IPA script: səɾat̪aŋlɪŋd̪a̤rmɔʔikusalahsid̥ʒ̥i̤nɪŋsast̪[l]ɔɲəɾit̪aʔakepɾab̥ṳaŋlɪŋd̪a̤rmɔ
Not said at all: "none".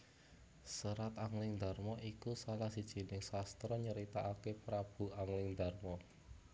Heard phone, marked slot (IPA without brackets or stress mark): ɾ